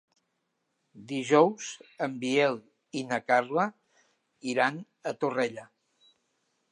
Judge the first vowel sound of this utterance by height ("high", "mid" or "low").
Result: high